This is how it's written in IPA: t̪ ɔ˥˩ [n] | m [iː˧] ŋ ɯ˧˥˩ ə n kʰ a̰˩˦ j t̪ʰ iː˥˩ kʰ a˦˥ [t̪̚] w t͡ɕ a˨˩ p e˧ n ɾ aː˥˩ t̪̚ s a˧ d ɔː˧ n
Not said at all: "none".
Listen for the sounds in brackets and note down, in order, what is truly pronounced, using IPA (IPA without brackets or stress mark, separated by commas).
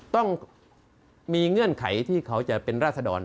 ŋ, iː˧, none